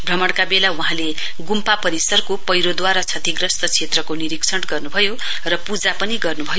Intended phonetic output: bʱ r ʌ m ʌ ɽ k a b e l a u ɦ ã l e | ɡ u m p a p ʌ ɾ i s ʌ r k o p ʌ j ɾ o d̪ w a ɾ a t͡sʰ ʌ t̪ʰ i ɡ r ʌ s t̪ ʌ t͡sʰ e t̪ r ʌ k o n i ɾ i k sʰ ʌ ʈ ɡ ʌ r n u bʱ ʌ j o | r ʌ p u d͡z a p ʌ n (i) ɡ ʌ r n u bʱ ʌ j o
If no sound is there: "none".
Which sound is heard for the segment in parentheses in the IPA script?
i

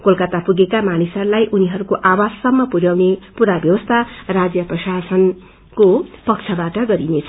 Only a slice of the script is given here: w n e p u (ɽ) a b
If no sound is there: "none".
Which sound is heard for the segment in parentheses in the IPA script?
ɾ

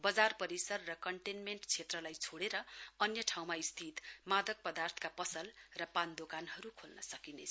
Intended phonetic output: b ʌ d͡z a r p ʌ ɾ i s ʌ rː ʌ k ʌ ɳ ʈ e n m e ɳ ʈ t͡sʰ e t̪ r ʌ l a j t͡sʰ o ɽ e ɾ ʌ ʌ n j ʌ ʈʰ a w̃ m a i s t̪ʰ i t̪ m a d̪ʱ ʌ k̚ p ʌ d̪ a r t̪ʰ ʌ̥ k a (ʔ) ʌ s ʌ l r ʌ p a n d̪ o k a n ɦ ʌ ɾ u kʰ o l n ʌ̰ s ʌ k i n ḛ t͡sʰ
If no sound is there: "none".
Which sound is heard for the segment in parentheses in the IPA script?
p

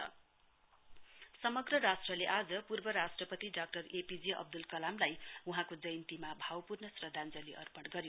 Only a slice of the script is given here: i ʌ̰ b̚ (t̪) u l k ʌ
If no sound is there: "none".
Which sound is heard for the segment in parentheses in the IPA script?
d̪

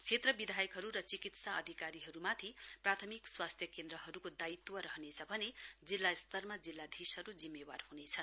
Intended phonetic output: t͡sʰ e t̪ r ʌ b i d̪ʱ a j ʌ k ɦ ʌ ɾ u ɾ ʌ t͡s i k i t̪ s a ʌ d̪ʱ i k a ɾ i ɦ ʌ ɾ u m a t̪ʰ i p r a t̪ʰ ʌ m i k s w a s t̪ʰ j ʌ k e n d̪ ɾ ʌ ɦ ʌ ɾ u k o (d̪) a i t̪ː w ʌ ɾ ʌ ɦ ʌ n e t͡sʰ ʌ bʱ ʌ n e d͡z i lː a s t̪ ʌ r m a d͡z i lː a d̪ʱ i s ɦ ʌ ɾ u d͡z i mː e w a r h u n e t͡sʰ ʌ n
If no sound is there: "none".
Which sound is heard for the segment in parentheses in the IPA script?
d̪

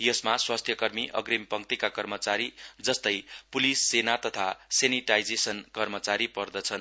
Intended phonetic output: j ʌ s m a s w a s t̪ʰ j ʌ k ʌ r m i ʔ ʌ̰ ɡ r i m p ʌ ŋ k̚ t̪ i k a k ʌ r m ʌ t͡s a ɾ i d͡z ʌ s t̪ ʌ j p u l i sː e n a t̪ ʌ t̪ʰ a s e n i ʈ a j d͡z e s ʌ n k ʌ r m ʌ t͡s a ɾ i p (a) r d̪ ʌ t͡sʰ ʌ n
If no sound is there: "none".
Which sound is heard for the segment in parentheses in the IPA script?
ʌ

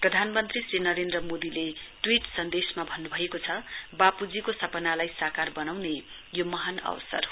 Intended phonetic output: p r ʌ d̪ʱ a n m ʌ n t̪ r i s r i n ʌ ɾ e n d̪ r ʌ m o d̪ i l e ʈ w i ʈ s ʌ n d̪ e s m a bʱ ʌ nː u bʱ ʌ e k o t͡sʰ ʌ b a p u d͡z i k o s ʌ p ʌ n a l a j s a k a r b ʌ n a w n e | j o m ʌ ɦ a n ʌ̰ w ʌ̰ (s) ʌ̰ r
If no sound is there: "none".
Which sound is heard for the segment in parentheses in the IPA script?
s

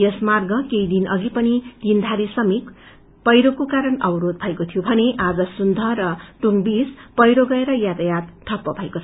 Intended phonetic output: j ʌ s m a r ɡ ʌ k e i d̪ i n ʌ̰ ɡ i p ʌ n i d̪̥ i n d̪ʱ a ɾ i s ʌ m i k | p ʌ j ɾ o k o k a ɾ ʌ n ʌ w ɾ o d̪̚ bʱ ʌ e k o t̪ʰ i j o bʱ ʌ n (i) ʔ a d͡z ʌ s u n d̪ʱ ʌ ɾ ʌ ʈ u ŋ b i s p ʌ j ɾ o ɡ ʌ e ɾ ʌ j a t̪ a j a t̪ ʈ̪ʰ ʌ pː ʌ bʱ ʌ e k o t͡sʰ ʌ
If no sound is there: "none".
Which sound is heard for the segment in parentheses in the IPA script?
e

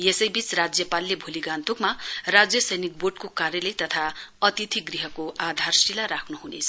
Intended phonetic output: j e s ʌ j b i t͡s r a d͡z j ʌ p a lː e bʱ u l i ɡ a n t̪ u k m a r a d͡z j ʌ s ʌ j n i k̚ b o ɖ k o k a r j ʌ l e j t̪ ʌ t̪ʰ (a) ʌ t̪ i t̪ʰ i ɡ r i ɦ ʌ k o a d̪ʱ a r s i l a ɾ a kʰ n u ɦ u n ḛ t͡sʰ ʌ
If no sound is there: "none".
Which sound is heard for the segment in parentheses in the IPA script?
a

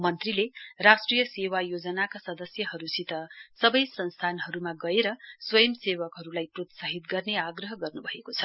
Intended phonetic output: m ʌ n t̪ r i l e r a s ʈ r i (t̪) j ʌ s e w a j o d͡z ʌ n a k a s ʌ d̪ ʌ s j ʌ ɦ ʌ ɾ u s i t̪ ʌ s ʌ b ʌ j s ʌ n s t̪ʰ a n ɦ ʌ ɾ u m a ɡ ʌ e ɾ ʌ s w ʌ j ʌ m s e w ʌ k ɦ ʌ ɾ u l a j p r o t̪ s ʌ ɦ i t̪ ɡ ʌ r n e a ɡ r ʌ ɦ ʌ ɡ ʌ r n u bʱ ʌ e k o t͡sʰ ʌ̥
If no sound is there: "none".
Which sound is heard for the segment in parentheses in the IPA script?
none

